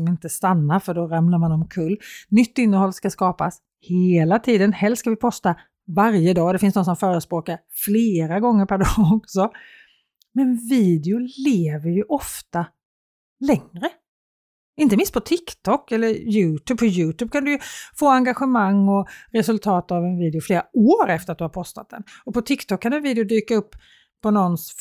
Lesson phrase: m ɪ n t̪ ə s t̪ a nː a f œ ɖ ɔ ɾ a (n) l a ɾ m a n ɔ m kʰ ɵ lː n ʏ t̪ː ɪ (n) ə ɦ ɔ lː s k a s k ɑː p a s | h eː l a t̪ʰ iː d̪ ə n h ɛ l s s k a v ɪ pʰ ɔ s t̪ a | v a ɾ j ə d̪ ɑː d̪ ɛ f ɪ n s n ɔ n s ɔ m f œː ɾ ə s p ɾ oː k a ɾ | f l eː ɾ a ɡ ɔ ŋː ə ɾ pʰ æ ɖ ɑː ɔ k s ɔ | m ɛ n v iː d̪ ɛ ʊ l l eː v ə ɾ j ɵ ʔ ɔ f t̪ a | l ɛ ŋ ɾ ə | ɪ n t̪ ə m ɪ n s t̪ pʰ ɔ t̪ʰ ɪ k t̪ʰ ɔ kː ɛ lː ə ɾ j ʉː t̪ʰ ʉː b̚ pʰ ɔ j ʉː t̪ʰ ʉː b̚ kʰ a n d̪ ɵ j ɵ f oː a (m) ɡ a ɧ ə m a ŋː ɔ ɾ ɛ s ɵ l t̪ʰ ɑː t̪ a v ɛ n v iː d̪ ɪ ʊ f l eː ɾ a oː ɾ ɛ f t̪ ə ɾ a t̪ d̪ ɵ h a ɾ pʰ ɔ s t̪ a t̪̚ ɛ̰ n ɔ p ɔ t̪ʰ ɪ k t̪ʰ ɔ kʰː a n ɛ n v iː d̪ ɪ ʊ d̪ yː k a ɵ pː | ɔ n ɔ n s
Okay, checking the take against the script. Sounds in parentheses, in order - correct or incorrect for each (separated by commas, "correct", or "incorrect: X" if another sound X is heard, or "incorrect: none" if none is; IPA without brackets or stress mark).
incorrect: m, incorrect: nː, incorrect: ŋ